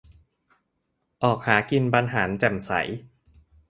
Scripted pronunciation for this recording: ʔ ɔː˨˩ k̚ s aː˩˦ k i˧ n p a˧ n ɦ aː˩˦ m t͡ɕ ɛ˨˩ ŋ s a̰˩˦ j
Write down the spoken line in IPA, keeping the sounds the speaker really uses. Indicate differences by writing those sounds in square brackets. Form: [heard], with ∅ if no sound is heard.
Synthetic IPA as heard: ʔ ɔː˨˩ k̚ [h] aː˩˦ k i˧ n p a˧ n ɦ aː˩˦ [n] t͡ɕ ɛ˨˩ [m] s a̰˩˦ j